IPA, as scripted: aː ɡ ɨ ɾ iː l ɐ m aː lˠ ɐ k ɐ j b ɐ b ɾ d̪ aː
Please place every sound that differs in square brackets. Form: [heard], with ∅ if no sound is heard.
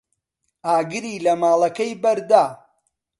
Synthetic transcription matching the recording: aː ɡ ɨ ɾ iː l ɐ m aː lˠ ɐ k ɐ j b ɐ [∅] ɾ d̪ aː

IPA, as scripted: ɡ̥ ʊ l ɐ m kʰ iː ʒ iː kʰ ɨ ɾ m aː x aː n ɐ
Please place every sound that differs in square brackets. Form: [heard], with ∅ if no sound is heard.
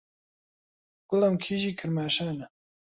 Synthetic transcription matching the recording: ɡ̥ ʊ l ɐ m kʰ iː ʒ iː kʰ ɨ ɾ m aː [ʃ] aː n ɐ

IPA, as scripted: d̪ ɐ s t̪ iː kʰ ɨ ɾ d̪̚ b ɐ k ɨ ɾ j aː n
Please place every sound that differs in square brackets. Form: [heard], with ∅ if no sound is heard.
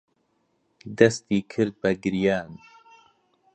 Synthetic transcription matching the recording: d̪ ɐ s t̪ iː kʰ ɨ ɾ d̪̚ b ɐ [ɡ] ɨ ɾ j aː n

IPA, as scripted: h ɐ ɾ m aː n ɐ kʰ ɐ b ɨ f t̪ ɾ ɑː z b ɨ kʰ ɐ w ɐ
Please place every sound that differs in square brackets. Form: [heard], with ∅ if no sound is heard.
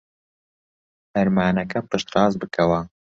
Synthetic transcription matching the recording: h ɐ ɾ m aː n ɐ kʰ ɐ [p] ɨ [ʃ] t̪ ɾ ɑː z b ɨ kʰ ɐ w ɐ

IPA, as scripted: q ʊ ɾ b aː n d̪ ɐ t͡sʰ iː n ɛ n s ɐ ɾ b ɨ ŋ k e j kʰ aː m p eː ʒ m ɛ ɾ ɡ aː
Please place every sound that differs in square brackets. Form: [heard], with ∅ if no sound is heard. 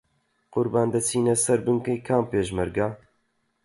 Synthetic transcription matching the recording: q ʊ ɾ b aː n d̪ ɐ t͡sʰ iː n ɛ [∅] s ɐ ɾ b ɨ ŋ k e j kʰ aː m p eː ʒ m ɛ ɾ ɡ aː

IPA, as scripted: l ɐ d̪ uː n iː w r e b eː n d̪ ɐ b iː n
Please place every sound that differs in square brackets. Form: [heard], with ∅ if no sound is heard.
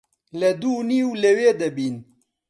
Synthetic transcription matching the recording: l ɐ d̪ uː n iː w [l] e [w] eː [∅] d̪ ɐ b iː n

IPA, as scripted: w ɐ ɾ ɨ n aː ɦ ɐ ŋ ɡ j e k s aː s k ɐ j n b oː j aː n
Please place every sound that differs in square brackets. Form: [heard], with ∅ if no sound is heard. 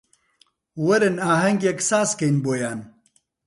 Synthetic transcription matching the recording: w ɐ ɾ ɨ n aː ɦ ɐ ŋ ɡ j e k s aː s k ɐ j n b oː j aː n

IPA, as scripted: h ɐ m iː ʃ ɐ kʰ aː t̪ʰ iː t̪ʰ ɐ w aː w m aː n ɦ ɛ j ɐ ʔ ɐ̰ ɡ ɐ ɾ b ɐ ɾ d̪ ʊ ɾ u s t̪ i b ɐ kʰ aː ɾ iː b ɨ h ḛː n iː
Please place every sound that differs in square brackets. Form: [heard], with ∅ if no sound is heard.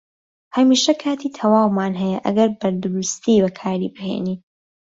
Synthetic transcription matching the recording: h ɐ m iː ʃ ɐ kʰ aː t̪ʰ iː t̪ʰ ɐ w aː w m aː n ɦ ɛ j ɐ ʔ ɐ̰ ɡ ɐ ɾ b ɐ ɾ d̪ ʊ ɾ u s t̪ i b ɐ kʰ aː ɾ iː b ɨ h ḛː n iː

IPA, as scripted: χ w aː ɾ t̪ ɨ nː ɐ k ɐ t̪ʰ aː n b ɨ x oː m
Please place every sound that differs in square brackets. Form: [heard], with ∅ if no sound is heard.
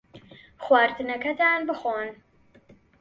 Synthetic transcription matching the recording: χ w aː ɾ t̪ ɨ [n] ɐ k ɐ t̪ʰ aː n b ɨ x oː [n]

